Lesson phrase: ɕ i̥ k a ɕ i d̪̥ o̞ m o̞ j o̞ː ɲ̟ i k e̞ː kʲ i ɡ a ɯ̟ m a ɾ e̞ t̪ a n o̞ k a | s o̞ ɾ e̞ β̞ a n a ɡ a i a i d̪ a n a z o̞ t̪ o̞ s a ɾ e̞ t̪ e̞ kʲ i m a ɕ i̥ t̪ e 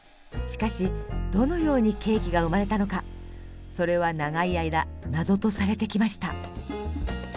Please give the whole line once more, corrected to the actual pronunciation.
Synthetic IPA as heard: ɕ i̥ k a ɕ i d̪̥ o̞ n o̞ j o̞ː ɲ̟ i k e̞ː kʲ i ɡ a ɯ̟ m a ɾ e̞ t̪ a n o̞ k a | s o̞ ɾ e̞ β̞ a n a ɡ a i a i d̪ a n a z o̞ t̪ o̞ s a ɾ e̞ t̪ e̞ kʲ i m a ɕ i̥ t̪ a

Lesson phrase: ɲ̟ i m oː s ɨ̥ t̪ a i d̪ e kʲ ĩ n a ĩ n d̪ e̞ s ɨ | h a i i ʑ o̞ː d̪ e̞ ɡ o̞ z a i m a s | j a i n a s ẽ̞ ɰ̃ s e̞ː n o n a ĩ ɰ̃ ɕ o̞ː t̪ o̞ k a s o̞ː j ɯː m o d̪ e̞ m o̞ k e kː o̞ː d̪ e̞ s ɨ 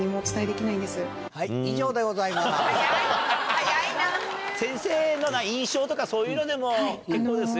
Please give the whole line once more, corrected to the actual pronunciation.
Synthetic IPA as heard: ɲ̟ i m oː t͡s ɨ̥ t̪ a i d̪ e kʲ i n a ĩ n d̪ e̞ s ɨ | h a i i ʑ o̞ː d̪ e̞ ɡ o̞ z a i m a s | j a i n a s ẽ̞ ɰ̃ s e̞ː n o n a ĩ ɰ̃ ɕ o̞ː t̪ o̞ k a s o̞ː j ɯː n o d̪ e̞ m o̞ k e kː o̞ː d̪ e̞ s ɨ

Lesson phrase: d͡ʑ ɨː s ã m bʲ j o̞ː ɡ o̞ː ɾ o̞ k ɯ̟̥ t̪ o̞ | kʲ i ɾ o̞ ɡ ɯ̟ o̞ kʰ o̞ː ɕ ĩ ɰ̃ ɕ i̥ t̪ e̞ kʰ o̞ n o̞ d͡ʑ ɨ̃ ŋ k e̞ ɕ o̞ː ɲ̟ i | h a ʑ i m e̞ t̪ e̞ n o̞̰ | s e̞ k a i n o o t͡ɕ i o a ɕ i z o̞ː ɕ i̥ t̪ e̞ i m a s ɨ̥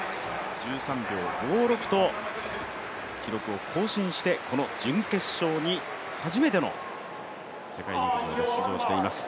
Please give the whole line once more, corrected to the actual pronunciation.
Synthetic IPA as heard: d͡ʑ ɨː s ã m bʲ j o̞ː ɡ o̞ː ɾ o̞ k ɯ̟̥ t̪ o̞ | kʲ i ɾ o̞ k ɯ̟ o̞ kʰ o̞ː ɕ ĩ ɰ̃ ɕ i̥ t̪ e̞ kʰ o̞ n o̞ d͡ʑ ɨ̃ ŋ k e̞ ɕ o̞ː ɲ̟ i | h a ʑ i m e̞ t̪ e̞ n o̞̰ | s e̞ k a i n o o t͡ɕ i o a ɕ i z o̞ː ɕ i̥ t̪ e̞ i m a s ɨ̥

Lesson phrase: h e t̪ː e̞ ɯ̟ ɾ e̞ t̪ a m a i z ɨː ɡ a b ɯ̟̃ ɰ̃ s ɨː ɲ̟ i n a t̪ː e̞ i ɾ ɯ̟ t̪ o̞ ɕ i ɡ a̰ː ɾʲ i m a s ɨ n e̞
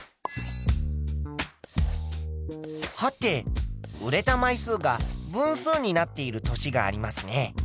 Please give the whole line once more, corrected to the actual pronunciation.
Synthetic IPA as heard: h a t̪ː e̞ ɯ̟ ɾ e̞ t̪ a m a i s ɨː ɡ a b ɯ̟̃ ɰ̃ s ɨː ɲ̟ i n a t̪ː e̞ i ɾ ɯ̟ t̪ o̞ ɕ i ɡ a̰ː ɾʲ i m a s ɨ n e̞

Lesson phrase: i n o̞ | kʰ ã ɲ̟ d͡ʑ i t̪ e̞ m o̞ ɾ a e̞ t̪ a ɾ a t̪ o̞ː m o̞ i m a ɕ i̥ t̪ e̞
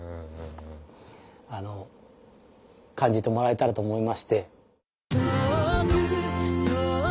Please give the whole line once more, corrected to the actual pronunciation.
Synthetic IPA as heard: a n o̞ | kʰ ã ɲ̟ d͡ʑ i t̪ e̞ m o̞ ɾ a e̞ t̪ a ɾ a t̪ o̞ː m o̞ i m a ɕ i̥ t̪ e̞

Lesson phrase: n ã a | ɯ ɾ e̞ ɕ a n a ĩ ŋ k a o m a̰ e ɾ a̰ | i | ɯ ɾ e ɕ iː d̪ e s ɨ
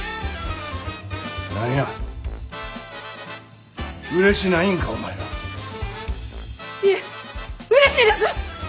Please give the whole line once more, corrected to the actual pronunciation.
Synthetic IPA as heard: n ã a | ɯ ɾ e̞ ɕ i n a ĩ ŋ k a o m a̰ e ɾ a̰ | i | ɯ ɾ e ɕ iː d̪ e s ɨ

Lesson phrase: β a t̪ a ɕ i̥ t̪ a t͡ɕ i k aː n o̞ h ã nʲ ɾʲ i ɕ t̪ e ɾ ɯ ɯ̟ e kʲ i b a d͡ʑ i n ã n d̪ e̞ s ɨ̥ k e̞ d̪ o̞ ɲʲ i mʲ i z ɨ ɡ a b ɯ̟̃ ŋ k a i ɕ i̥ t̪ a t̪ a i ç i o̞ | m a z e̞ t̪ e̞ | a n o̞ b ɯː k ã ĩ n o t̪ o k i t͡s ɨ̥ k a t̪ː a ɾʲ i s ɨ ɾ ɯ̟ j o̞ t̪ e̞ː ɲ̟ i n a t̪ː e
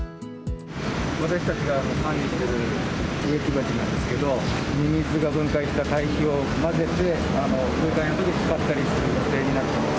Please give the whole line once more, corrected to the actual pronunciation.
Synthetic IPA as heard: β a t̪ a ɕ i̥ t̪ a t͡ɕ i ɡ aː n o̞ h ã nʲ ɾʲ i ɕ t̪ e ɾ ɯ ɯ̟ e kʲ i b a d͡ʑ i n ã n d̪ e̞ s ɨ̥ k e̞ d̪ o̞ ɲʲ i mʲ i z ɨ ɡ a b ɯ̟̃ ŋ k a i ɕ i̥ t̪ a t̪ a i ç i o̞ | m a z e̞ t̪ e̞ | a n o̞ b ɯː k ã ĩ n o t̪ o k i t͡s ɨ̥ k a t̪ː a ɾʲ i s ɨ ɾ ɯ̟ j o̞ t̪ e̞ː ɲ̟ i n a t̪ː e

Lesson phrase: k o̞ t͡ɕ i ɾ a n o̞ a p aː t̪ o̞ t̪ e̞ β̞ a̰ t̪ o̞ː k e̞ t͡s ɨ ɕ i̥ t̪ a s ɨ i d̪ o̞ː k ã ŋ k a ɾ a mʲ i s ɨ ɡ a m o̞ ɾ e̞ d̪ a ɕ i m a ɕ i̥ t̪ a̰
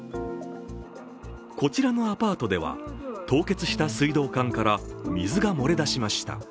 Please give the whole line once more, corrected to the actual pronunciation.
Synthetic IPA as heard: k o̞ t͡ɕ i ɾ a n o̞ a p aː t̪ o̞ d̪ e̞ β̞ a̰ t̪ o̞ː k e̞ t͡s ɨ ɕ i̥ t̪ a s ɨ i d̪ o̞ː k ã ŋ k a ɾ a mʲ i z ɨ ɡ a m o̞ ɾ e̞ d̪ a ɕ i m a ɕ i̥ t̪ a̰

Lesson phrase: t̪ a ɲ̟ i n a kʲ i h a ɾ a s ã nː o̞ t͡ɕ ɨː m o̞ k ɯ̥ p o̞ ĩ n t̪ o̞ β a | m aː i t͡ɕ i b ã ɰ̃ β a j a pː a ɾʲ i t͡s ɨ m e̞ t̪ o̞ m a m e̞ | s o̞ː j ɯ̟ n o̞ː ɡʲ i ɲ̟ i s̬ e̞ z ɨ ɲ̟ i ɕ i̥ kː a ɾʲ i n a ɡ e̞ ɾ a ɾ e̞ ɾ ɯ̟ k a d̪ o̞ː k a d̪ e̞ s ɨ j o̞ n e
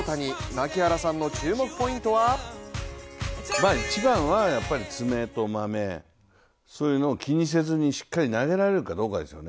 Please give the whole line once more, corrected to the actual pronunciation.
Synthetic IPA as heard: t̪ a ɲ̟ i n a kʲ i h a ɾ a s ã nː o̞ t͡ɕ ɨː m o̞ k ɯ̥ p o̞ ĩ n t̪ o̞ β a | m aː i t͡ɕ i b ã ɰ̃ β a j a pː a ɾʲ i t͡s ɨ m e̞ t̪ o̞ m a m e̞ | s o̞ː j ɯ̟ n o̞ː kʲ i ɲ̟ i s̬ e̞ z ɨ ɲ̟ i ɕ i̥ kː a ɾʲ i n a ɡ e̞ ɾ a ɾ e̞ ɾ ɯ̟ k a d̪ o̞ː k a d̪ e̞ s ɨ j o̞ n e

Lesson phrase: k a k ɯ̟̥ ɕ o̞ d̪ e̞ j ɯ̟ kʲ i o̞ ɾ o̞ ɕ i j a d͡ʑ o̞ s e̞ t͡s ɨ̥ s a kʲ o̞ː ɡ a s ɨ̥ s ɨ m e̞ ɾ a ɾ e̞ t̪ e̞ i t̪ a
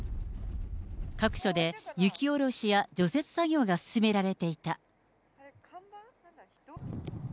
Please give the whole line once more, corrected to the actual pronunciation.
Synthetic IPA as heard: k a k ɯ̟̥ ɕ o̞ d̪ e̞ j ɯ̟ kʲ i o̞ ɾ o̞ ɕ i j a d͡ʑ o̞ s e̞ t͡s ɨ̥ s a ɡʲ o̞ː ɡ a s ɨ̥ s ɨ m e̞ ɾ a ɾ e̞ t̪ e̞ i t̪ a

